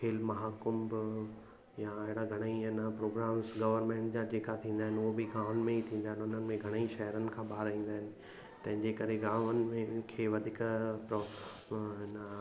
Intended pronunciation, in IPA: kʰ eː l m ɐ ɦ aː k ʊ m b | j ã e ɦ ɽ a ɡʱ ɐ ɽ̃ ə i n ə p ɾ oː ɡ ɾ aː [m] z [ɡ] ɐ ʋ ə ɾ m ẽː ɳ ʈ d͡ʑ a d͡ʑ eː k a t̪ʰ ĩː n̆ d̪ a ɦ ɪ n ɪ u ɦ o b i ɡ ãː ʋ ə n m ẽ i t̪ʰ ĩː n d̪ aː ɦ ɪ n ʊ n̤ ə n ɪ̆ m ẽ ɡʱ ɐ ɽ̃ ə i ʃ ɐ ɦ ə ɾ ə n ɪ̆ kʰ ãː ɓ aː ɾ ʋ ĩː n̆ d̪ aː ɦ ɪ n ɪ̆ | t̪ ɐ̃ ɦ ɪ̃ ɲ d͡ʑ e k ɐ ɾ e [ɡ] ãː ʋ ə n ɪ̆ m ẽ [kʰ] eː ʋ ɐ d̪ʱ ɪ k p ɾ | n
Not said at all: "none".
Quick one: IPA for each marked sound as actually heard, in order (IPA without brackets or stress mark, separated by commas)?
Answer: m, ɡ, ɡ, kʰ